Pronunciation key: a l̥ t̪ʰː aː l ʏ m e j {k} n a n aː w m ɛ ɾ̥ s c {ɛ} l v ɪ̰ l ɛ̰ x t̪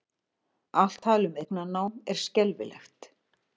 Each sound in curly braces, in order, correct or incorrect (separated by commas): correct, correct